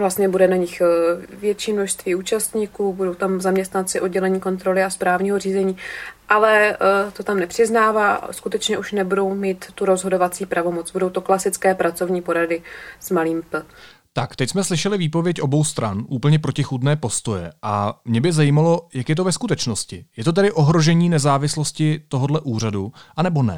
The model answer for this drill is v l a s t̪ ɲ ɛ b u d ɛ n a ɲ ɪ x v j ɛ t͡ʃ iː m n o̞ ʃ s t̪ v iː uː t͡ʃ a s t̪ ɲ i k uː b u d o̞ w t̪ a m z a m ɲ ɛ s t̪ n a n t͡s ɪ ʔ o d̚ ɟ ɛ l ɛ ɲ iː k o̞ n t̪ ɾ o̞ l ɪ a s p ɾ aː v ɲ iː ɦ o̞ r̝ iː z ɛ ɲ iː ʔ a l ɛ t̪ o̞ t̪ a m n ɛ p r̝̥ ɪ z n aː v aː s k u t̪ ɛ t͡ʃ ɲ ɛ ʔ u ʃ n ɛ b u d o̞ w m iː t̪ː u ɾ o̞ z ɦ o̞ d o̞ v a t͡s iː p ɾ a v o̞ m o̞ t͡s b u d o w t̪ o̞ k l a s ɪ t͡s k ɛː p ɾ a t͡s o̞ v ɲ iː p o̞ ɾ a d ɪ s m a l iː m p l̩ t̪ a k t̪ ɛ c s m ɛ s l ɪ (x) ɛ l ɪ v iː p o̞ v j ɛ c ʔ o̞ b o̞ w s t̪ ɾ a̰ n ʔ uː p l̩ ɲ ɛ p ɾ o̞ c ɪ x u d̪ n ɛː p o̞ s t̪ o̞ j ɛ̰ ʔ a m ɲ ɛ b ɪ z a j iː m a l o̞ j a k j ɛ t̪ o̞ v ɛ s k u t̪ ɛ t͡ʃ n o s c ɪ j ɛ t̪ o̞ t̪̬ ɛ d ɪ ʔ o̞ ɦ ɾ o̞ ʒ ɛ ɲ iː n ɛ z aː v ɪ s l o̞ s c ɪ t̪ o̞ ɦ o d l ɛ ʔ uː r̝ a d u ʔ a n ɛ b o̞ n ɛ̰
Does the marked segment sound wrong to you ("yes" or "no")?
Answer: yes